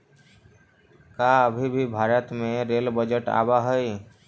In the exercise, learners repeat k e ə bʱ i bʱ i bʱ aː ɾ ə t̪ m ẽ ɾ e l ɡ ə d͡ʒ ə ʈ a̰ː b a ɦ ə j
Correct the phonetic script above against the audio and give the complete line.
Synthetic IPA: k a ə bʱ i bʱ i bʱ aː ɾ ə t̪ m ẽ ɾ e l b ə d͡ʒ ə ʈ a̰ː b a ɦ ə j